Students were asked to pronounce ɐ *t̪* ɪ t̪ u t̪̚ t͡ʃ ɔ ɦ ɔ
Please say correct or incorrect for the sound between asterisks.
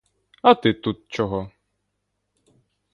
correct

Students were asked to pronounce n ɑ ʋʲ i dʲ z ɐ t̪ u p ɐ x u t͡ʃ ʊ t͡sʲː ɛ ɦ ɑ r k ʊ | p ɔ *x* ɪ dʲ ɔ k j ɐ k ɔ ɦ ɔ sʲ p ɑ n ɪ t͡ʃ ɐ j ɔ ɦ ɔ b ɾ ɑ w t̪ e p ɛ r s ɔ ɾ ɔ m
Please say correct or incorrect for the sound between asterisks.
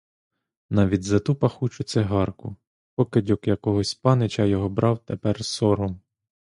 incorrect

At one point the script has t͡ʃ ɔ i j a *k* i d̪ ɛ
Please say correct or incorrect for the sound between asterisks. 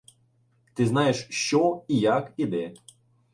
correct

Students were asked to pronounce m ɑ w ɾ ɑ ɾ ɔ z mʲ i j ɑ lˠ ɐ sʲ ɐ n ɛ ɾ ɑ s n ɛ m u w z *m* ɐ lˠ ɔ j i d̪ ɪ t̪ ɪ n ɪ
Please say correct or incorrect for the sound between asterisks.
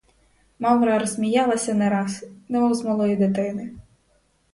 correct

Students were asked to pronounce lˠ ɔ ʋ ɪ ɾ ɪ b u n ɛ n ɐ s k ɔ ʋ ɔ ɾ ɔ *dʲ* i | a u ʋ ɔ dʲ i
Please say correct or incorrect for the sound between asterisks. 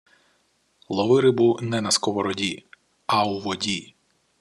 correct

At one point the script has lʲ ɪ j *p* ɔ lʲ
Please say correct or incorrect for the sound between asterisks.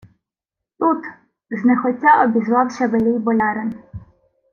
incorrect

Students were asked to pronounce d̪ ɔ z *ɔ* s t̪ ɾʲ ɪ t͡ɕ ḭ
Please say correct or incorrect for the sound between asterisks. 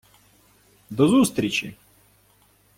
incorrect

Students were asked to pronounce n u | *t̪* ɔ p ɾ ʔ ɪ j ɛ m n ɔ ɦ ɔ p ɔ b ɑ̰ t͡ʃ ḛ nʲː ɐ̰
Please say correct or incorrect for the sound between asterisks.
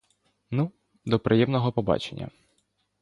incorrect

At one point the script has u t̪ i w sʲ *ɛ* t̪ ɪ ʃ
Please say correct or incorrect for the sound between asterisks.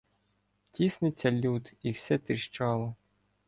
correct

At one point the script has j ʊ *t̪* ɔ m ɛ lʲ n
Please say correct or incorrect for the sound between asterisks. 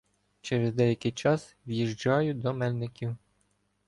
incorrect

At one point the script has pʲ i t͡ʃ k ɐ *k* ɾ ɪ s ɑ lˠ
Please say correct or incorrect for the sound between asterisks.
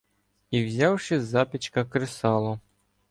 correct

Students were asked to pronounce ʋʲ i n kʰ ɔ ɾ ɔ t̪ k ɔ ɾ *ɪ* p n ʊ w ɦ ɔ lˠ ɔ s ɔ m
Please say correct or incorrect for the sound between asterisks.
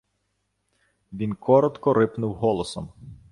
correct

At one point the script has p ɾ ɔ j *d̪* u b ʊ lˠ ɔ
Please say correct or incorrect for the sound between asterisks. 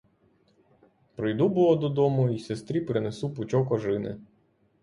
correct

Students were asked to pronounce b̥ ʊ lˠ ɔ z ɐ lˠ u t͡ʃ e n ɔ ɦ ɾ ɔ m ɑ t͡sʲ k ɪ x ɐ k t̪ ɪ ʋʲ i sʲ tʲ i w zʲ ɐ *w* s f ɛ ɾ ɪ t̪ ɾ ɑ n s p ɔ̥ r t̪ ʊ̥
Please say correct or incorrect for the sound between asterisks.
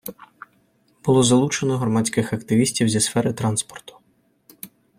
incorrect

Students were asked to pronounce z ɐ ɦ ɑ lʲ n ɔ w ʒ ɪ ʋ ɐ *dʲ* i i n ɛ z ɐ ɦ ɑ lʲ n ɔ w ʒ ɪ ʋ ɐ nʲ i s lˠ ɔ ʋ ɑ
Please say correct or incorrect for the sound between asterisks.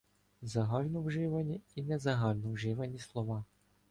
incorrect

